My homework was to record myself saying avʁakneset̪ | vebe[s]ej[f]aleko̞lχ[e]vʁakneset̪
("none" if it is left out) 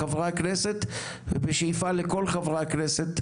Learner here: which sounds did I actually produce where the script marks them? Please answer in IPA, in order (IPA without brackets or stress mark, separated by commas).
ʃ, f, a